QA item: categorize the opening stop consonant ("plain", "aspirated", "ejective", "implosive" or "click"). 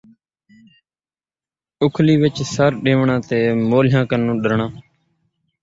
aspirated